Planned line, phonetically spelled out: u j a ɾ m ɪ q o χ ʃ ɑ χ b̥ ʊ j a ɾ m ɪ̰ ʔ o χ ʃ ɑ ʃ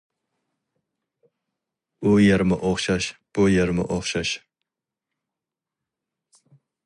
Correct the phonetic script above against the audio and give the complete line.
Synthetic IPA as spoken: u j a ɾ m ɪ ʔ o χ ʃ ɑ ʃ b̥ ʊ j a ɾ m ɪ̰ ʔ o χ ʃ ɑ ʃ